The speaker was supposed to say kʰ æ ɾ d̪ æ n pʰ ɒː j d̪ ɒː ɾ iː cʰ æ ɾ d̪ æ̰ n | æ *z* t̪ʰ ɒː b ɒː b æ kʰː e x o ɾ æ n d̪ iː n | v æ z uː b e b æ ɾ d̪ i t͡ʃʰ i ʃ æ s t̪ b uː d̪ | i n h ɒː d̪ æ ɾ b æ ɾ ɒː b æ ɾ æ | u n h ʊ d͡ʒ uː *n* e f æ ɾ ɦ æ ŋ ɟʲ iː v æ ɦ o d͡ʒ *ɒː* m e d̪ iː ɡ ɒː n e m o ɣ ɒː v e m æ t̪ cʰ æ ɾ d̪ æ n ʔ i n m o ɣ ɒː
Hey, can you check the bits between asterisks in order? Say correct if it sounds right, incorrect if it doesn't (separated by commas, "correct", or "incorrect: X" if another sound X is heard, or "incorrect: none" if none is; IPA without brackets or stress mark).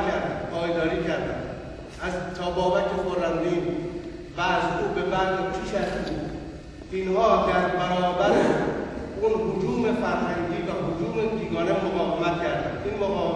correct, incorrect: m, incorrect: uː